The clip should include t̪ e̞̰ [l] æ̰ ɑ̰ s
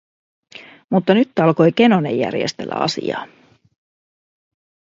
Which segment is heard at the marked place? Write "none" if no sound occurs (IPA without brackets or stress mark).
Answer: lː